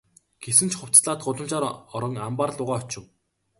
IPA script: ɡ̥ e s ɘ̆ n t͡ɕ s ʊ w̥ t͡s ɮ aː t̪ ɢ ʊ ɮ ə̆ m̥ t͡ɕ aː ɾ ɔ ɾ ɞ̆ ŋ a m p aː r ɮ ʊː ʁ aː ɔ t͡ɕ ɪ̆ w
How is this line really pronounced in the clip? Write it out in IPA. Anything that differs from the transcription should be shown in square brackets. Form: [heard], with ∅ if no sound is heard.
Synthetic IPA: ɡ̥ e s ɘ̆ n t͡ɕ [χ] ʊ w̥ t͡s ɮ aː t̪ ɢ ʊ ɮ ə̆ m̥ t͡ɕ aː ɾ ɔ ɾ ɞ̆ ŋ a m p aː r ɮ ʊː ʁ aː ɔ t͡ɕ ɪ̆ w